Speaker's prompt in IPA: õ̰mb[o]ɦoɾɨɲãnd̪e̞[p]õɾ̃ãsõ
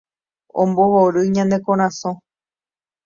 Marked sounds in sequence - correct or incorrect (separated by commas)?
correct, incorrect